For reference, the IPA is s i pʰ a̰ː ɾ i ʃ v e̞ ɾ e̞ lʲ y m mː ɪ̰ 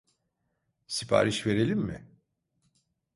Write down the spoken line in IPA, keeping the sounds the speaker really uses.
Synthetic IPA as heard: s i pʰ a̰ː ɾ i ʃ v e̞ ɾ e̞ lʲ i m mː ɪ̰